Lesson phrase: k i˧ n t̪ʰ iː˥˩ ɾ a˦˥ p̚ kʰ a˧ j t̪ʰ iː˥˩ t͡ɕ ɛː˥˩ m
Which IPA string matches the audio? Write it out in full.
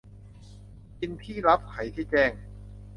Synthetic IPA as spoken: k i˧ n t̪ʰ iː˥˩ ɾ a˦˥ p̚ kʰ a˩˦ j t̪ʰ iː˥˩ t͡ɕ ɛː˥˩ ŋ